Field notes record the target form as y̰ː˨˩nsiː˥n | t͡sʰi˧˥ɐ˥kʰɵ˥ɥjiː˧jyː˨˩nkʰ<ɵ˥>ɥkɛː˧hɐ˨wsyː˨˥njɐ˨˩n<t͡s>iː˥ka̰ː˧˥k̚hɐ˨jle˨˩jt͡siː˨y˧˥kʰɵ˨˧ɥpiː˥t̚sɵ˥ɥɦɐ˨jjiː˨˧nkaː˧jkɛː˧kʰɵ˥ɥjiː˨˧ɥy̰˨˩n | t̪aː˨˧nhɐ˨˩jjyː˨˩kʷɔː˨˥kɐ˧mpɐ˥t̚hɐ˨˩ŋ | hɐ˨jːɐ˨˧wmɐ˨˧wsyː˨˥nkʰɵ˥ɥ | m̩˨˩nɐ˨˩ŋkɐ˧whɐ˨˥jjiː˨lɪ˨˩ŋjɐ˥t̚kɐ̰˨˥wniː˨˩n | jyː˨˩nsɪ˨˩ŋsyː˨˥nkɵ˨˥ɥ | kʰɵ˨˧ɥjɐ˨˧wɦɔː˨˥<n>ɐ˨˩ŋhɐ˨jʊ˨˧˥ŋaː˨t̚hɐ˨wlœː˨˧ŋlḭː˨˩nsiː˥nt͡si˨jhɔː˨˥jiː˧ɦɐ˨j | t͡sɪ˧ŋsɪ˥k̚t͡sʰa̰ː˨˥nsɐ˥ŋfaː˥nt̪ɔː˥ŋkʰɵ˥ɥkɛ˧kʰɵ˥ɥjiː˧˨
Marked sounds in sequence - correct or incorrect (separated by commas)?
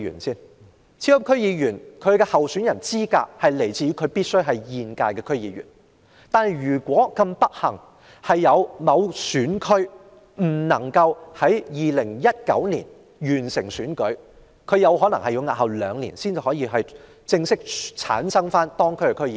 incorrect, correct, correct